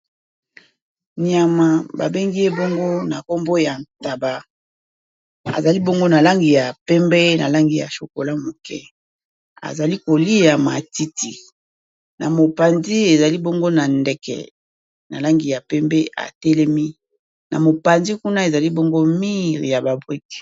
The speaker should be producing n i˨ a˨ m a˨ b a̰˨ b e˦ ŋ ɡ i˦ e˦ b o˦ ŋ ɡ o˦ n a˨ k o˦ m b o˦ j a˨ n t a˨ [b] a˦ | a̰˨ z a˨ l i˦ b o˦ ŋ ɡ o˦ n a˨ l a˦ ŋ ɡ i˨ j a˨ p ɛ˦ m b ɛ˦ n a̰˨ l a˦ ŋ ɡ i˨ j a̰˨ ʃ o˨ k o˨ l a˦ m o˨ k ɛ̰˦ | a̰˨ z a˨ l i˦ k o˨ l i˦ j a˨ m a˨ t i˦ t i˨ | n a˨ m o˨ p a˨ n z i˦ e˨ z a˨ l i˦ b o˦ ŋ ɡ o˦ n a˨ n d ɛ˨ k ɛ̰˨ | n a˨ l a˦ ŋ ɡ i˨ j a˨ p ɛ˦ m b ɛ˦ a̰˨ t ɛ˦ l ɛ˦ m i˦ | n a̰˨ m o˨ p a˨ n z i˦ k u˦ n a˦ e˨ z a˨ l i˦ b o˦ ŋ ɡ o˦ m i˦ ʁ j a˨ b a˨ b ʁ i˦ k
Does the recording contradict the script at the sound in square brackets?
no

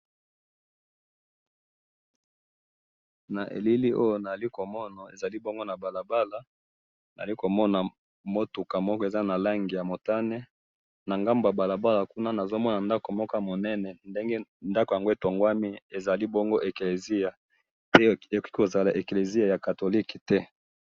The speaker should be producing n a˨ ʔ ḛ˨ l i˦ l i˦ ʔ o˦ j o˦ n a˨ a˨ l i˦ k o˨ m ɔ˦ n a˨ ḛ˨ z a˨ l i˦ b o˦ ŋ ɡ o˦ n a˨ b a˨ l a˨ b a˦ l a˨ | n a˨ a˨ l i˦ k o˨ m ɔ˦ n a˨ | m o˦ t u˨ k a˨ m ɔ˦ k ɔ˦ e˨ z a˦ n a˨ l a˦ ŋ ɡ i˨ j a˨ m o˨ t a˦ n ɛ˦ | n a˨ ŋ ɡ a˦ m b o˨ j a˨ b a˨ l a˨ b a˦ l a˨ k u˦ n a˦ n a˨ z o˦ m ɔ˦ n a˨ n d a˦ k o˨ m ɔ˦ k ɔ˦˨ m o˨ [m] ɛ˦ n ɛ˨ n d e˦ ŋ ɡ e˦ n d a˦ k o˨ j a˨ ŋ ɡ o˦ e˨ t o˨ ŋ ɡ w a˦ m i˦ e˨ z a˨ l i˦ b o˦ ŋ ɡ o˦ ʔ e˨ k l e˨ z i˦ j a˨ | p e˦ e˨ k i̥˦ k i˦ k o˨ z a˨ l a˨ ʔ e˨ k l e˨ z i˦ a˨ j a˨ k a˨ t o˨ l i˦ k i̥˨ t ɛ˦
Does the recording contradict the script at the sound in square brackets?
yes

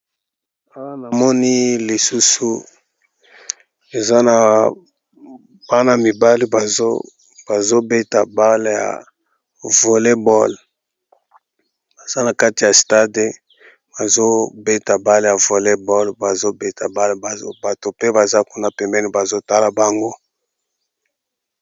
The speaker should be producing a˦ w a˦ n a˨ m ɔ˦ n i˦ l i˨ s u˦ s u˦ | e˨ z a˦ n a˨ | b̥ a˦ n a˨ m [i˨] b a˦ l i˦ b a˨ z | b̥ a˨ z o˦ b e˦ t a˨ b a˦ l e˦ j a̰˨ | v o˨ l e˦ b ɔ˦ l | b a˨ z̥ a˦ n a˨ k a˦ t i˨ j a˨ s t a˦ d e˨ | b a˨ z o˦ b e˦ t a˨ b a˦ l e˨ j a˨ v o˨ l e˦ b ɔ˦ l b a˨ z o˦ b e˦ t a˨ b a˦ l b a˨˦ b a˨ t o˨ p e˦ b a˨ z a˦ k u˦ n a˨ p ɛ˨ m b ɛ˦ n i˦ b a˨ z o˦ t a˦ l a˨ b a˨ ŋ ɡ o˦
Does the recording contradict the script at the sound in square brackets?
no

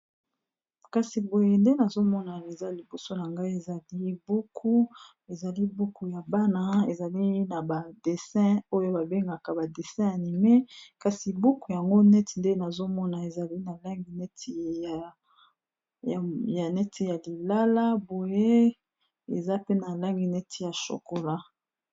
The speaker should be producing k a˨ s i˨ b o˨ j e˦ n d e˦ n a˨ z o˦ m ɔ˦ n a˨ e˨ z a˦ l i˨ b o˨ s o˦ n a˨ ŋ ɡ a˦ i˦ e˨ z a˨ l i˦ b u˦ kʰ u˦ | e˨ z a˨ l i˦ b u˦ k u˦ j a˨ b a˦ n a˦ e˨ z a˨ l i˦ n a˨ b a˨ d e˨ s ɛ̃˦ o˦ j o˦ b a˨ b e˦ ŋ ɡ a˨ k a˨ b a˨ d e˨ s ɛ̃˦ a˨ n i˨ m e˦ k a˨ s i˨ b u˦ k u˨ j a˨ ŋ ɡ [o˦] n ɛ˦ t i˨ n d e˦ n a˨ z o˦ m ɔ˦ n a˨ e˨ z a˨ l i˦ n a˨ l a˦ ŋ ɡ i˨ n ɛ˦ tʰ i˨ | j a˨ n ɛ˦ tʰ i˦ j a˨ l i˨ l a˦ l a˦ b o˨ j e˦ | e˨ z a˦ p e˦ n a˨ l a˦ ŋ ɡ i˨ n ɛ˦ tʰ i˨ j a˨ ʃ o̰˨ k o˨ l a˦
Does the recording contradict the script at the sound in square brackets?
no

